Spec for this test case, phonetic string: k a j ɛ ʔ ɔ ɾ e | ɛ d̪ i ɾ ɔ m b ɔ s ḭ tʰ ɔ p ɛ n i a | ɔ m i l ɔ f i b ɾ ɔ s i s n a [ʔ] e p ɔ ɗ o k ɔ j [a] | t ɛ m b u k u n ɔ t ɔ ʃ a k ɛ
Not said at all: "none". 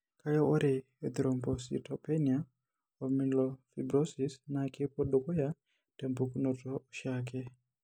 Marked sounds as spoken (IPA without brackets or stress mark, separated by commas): k, a